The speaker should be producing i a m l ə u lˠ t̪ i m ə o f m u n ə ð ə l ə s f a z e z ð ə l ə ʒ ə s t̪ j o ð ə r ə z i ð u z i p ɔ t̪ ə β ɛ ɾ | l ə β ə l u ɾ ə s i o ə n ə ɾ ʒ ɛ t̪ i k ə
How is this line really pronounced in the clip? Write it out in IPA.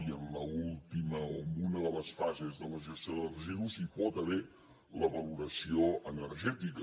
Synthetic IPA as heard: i ə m l ə u lˠ t̪ i m ə o m u n ə ð ə l ə s f a z e z ð ə l ə ʒ ə s t̪ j o ð ə r ə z i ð u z i p ɔ t̪ ə β ɛ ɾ | l ə β ə l u ɾ ə s i o ə n ə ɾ ʒ ɛ t̪ i k ə